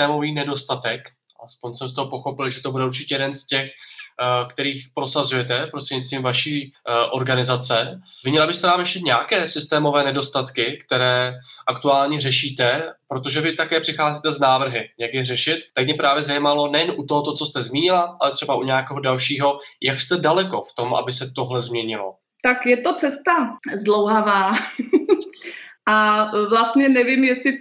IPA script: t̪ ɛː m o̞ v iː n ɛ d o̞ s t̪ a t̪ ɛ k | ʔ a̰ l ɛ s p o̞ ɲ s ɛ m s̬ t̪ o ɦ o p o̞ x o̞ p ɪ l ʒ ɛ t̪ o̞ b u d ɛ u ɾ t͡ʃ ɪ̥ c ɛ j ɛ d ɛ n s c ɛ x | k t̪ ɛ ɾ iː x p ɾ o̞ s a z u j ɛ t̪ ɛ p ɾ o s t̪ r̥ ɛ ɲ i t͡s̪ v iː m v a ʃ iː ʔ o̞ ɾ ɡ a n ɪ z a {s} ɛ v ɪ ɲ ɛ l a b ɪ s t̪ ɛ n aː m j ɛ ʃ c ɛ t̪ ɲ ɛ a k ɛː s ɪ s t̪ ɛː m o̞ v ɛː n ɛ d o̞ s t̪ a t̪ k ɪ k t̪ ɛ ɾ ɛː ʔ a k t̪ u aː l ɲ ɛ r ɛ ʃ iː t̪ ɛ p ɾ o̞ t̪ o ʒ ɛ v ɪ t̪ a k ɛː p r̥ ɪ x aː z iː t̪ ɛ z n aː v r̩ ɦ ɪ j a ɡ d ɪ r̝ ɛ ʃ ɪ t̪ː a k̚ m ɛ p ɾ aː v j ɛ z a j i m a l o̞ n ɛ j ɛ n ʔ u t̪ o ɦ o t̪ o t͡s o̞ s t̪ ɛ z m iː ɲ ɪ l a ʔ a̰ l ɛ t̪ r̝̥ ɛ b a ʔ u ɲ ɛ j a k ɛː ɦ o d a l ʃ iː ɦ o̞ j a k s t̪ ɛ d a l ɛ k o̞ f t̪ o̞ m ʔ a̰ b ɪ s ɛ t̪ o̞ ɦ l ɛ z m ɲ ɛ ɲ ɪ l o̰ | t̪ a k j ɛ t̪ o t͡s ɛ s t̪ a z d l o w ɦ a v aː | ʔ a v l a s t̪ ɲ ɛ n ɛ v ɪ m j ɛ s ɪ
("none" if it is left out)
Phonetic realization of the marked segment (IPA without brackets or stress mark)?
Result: t͡s